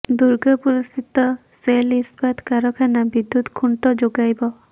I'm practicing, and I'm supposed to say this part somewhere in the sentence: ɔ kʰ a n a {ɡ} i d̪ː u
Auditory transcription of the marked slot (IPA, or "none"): b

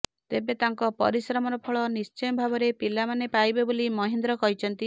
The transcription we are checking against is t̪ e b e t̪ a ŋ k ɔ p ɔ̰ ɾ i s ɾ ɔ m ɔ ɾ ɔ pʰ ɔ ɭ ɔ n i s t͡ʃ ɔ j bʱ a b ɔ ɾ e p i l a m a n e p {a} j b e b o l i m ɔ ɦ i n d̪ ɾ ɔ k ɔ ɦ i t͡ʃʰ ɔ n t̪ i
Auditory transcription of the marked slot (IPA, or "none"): a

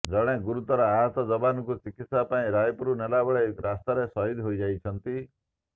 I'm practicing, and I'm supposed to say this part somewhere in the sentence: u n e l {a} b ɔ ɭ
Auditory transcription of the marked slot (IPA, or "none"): a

